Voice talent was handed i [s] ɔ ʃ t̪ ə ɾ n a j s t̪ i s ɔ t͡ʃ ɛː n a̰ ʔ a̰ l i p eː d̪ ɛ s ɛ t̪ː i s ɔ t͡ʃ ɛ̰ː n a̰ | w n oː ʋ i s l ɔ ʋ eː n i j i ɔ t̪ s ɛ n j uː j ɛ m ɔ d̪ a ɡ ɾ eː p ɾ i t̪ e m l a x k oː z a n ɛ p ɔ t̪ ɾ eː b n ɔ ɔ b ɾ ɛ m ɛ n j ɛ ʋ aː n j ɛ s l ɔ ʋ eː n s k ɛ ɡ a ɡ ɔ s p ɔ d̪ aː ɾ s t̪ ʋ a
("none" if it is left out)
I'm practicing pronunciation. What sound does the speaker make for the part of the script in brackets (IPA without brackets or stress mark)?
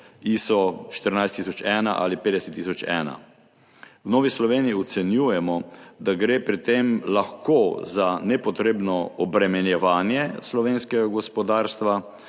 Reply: s